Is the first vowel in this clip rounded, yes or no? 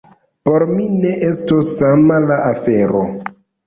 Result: yes